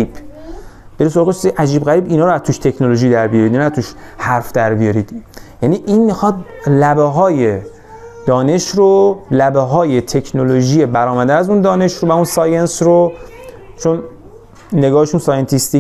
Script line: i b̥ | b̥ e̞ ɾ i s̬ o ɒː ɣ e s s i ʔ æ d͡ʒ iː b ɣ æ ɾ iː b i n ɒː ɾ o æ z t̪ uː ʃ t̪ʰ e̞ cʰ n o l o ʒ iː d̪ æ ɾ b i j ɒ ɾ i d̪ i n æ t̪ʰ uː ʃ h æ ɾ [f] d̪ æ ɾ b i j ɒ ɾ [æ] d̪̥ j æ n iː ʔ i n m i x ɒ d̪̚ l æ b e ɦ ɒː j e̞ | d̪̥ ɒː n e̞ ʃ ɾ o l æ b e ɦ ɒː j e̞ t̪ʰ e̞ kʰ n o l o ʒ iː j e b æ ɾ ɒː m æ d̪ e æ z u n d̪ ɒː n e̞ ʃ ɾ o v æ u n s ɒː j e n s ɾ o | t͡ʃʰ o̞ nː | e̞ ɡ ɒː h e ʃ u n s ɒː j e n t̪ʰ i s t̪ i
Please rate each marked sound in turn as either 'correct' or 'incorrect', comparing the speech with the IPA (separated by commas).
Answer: correct, incorrect